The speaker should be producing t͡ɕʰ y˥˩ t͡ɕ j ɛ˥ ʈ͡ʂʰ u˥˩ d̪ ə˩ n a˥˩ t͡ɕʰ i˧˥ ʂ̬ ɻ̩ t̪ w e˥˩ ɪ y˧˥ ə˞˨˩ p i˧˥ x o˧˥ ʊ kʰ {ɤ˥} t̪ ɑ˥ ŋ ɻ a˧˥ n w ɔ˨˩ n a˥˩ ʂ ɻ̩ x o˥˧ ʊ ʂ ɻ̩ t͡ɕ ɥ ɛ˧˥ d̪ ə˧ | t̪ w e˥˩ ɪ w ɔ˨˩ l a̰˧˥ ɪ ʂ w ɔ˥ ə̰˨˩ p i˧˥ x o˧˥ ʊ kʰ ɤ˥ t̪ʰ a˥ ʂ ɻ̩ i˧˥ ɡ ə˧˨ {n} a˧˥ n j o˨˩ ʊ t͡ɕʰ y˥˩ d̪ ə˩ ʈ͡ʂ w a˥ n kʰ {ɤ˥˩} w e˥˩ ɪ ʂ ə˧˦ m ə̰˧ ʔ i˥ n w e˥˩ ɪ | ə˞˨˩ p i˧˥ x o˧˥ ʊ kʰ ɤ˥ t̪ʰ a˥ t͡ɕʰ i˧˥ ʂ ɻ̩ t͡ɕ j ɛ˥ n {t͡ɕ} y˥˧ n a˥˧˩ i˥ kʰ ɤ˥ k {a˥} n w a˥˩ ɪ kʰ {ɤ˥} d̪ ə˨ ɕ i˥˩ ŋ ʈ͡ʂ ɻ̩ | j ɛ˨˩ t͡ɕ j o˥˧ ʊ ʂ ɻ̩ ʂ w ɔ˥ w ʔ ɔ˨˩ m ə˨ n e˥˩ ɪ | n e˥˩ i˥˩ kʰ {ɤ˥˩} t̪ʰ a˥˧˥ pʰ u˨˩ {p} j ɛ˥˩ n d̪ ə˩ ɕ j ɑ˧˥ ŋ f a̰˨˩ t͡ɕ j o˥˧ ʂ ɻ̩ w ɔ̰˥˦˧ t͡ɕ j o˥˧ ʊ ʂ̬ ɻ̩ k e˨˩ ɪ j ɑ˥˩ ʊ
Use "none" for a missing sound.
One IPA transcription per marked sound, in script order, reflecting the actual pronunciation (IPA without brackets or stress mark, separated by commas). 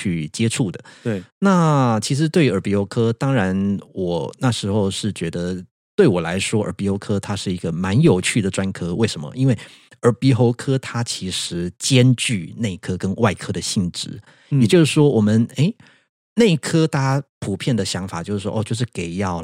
ɤ˥, m, ɤ˥, t͡ɕ, ə˥, ɤ˥, ɤ˥, pʰ